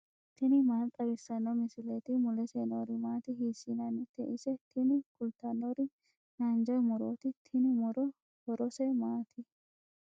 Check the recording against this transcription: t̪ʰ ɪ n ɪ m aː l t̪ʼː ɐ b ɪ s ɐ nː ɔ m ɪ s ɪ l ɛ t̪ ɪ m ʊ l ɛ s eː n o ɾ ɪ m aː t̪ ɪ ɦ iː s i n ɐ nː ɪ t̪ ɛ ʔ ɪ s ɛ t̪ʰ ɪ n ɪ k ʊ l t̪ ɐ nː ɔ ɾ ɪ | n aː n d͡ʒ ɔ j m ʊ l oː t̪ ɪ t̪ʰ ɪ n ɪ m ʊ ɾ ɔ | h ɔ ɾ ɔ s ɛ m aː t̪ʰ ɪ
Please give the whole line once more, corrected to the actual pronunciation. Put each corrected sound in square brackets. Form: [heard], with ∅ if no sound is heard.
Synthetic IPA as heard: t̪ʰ ɪ n ɪ m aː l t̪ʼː ɐ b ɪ s ɐ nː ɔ m ɪ s ɪ l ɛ t̪ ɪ m ʊ l ɛ s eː n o ɾ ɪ m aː t̪ ɪ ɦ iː s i n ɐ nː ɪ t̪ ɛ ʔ ɪ s ɛ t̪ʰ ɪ n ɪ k ʊ l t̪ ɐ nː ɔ ɾ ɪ | n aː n d͡ʒ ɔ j m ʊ [ɾ] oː t̪ ɪ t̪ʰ ɪ n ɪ m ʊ ɾ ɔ | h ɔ ɾ ɔ s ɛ m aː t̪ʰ ɪ